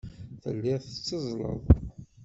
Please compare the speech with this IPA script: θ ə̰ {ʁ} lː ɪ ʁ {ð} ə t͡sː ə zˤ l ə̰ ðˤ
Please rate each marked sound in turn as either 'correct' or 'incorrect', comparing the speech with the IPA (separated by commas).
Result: incorrect, incorrect